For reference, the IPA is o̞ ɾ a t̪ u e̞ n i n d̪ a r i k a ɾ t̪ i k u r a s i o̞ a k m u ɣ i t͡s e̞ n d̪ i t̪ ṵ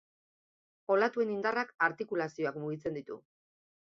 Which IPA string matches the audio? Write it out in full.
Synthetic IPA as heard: o̞ l a t̪ u e̞ n i n d̪ a r a k a ɾ t̪ i k u l a s i o̞ a k m u ɣ i t͡s e̞ n d̪ i t̪ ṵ